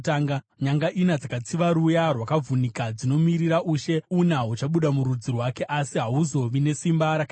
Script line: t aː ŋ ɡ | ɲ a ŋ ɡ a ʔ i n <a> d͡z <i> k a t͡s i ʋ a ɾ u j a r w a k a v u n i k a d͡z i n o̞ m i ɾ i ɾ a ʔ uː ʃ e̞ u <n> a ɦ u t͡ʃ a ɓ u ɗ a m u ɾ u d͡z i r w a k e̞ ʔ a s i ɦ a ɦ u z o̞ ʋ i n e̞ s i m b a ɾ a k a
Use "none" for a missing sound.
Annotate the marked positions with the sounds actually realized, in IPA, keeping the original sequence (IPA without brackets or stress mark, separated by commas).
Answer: a, a, n